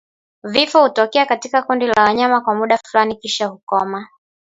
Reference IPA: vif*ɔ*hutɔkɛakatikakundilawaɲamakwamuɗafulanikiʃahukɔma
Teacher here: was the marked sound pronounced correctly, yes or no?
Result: yes